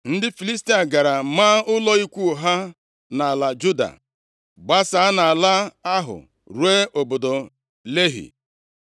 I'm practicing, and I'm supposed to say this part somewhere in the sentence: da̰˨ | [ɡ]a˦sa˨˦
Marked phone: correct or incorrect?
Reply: incorrect